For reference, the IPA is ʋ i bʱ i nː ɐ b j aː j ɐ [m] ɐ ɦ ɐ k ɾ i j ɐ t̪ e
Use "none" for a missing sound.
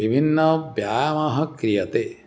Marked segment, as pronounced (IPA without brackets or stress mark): m